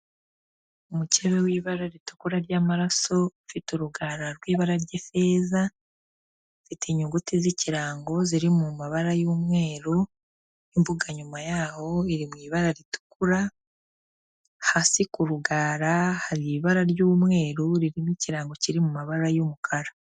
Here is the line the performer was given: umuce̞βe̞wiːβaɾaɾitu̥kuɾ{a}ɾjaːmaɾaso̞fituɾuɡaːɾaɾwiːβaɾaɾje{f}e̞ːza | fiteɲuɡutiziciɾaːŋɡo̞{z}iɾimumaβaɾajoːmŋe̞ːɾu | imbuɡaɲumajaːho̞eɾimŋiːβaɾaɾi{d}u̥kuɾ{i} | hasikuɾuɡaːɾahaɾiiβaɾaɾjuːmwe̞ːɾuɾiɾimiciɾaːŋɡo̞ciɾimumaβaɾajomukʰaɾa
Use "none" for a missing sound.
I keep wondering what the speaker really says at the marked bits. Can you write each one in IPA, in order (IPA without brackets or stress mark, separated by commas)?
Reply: a, f, z, t, a